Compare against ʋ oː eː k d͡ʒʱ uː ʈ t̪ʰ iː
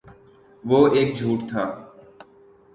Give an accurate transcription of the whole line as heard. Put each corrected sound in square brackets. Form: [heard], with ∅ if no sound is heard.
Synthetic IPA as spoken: ʋ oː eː k d͡ʒʱ uː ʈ t̪ʰ [aː]